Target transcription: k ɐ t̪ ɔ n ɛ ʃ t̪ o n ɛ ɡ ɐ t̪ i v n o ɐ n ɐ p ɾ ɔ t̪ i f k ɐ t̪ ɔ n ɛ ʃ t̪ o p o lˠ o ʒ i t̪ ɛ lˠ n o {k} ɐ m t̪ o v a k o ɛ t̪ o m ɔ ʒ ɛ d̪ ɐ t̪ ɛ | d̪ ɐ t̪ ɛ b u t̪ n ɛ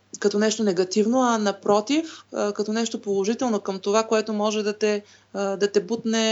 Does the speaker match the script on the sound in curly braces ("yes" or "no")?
yes